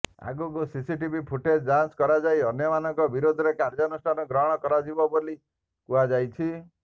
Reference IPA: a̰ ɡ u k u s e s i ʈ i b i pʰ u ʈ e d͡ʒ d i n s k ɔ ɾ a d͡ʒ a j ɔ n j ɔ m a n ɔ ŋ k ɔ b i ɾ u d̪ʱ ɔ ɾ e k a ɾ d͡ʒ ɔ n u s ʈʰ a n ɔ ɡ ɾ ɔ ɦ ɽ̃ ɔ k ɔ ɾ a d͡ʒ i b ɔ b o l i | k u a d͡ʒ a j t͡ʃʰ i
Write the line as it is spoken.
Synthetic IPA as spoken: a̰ ɡ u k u s i s i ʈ i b i pʰ u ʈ e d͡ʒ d a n s k ɔ ɾ a d͡ʒ a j ɔ n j ɔ m a n ɔ ŋ k ɔ b i ɾ o d̪ʱ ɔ ɾ e k a ɾ d͡ʒ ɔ n u s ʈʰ a n ɔ ɡ ɾ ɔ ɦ ɽ̃ ɔ k ɔ ɾ a d͡ʒ i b ɔ b o l i | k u a d͡ʒ a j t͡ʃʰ i